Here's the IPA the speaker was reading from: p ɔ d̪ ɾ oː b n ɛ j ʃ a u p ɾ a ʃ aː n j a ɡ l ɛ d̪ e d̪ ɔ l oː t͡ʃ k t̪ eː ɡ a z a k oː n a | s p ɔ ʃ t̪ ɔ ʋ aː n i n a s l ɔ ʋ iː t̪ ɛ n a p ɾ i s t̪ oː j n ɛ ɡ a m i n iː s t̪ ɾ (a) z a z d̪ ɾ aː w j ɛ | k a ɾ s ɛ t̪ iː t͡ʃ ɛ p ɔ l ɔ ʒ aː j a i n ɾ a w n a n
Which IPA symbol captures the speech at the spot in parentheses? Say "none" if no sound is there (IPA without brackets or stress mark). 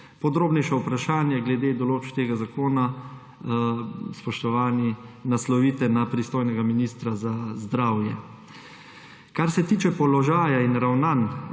a